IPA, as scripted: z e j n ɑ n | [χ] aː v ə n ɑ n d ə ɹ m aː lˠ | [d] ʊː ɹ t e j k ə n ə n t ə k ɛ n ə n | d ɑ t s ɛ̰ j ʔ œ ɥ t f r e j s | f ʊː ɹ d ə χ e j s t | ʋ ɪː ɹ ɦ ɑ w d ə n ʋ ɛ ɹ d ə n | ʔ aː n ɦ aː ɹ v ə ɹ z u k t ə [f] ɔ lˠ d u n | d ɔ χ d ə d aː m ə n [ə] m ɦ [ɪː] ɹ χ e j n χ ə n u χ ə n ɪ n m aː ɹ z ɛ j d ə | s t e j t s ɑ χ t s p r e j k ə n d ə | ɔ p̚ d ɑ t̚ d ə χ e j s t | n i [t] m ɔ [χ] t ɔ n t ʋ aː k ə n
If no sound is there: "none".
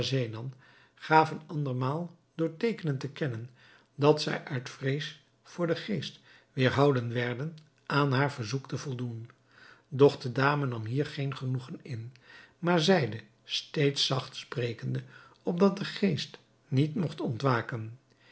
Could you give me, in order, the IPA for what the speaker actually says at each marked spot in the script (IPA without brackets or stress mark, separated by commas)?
χ, d, v, ɑ, iː, t, χ